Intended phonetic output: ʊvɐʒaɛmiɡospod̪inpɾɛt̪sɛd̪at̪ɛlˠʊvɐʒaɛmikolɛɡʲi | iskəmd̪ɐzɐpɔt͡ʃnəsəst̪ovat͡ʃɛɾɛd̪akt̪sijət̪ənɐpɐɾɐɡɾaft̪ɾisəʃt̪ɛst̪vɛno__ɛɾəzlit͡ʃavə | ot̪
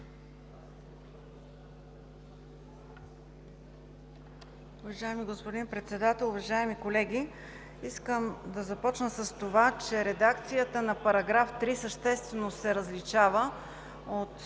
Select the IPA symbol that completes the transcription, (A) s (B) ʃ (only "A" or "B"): A